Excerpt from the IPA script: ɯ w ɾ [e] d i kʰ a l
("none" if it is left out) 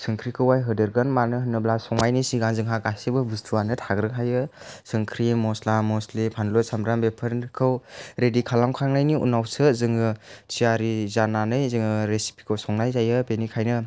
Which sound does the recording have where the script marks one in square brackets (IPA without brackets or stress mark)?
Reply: e